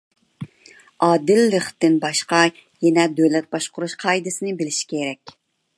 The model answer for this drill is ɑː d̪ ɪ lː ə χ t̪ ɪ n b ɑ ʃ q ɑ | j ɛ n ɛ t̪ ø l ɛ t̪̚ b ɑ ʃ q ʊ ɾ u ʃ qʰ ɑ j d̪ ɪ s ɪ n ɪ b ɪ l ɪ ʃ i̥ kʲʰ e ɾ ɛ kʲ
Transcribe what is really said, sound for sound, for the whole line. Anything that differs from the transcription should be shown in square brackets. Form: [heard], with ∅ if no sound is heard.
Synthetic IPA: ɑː d̪ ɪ lː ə χ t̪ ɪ n b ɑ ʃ q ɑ | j ɛ n ɛ [d̪] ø l ɛ t̪̚ b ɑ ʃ q ʊ ɾ u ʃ qʰ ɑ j d̪ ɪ s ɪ n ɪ b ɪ l ɪ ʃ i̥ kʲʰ e ɾ ɛ kʲ